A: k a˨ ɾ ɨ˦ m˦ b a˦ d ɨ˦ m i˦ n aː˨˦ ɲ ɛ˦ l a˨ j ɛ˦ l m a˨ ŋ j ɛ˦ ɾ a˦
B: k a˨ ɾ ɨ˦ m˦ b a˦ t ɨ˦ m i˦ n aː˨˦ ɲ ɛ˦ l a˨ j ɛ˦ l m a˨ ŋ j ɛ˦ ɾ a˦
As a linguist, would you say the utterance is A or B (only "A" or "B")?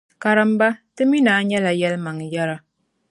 B